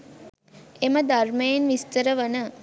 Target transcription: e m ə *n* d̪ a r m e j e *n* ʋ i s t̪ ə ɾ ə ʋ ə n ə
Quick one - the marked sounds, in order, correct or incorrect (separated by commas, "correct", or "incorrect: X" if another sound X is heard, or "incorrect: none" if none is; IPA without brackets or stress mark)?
incorrect: none, correct